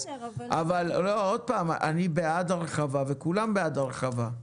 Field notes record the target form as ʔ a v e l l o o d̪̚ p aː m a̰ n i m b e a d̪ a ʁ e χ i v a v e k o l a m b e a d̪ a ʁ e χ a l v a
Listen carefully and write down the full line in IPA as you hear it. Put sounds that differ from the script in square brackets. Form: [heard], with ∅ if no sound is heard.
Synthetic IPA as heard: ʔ a v [a] l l o o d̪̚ p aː m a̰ n i [∅] b e a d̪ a ʁ e χ [a] v a v e k [u] l a m b e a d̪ a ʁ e χ a [∅] v a